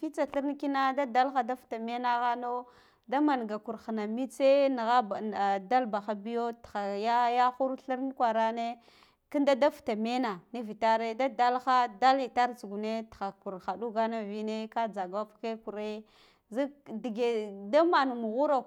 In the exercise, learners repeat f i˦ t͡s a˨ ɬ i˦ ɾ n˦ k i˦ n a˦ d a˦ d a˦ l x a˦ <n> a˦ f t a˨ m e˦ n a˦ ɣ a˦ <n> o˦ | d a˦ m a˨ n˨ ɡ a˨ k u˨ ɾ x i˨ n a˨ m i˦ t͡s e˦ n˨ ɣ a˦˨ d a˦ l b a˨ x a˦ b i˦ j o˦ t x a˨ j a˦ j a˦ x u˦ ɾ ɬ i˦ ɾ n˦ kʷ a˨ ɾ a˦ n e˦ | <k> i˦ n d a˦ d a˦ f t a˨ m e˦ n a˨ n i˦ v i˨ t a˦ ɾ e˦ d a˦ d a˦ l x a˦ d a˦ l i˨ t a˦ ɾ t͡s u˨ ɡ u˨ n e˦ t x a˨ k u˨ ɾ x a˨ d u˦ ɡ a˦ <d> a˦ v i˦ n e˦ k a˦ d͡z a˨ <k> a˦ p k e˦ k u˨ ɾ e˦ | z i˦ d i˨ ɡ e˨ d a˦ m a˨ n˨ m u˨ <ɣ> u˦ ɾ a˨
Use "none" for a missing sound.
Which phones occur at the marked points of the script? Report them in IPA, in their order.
d, n, k, n, ɡ, ɣ

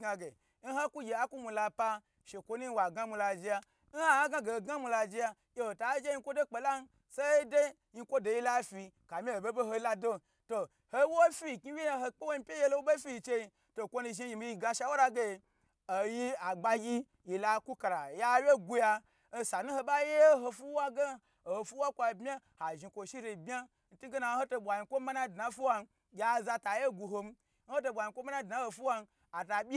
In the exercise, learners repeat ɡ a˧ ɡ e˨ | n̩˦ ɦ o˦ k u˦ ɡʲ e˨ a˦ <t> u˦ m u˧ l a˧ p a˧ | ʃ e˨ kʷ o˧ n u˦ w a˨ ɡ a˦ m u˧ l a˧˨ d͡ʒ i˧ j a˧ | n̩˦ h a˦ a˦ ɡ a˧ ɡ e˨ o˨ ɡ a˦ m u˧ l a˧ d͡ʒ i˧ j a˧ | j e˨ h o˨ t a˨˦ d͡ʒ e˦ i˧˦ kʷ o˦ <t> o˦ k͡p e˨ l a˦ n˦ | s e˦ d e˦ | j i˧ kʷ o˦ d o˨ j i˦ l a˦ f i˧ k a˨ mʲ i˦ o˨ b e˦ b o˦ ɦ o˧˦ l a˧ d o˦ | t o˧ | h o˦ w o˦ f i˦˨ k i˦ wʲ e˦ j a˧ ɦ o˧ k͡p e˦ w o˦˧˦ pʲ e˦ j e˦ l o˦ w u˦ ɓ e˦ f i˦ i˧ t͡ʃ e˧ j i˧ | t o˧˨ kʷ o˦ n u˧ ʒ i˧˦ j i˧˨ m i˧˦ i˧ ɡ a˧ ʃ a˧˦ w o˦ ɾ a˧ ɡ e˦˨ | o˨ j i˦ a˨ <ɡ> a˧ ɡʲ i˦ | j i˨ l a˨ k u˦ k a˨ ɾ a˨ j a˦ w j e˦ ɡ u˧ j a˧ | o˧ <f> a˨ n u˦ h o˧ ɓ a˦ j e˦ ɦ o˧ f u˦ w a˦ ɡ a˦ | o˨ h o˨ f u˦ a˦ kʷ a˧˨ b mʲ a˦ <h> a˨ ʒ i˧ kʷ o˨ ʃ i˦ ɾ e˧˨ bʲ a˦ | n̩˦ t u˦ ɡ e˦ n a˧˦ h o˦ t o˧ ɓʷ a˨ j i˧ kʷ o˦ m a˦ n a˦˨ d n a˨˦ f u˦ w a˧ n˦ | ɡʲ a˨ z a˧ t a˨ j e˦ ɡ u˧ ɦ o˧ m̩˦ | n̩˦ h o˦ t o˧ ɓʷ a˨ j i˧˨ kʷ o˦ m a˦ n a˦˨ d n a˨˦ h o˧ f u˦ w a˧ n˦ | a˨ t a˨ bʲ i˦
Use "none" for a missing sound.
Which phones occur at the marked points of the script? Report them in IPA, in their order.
k, d, ɡ͡b, s, h

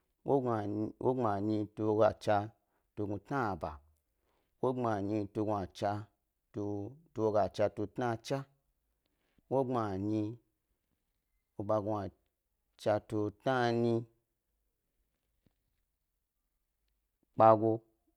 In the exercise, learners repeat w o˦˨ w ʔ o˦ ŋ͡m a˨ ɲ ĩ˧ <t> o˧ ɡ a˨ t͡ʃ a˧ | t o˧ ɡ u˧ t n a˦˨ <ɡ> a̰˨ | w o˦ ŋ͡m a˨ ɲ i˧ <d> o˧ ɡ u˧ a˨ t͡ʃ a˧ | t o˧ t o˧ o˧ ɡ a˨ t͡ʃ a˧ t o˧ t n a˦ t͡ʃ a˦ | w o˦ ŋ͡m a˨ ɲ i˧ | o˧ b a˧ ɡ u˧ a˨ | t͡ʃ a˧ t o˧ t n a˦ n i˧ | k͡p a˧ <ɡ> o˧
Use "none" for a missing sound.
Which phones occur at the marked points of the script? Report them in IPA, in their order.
t, b, t, ɡ

